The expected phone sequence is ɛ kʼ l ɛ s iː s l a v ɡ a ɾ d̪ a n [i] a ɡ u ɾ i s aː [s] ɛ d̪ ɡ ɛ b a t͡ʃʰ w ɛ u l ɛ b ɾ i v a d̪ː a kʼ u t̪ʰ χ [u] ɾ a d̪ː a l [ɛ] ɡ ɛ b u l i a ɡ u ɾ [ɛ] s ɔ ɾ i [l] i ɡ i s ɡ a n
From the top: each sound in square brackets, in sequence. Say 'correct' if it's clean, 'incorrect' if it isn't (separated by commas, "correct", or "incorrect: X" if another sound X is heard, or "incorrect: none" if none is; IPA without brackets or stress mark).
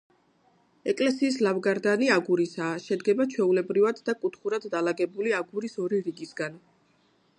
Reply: correct, incorrect: ʃ, correct, incorrect: a, incorrect: i, incorrect: ɾ